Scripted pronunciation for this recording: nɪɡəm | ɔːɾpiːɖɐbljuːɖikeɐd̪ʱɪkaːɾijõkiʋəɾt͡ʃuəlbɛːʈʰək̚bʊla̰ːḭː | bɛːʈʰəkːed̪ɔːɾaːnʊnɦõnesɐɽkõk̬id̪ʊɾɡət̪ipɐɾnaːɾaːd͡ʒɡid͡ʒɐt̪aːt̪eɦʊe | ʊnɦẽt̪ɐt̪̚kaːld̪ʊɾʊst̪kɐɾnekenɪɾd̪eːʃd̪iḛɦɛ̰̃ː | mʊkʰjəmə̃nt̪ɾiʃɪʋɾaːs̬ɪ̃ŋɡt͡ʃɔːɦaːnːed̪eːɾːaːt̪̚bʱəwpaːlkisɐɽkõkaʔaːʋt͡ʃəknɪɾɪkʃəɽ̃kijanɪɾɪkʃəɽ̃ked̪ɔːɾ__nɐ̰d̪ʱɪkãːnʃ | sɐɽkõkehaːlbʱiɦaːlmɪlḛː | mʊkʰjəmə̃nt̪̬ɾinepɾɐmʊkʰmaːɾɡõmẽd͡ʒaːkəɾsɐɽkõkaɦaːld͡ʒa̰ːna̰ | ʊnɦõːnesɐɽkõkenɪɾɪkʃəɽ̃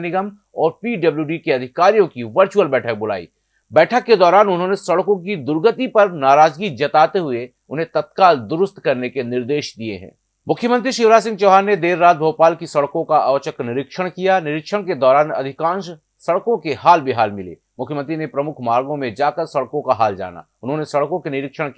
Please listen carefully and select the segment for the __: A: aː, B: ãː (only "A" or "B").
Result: A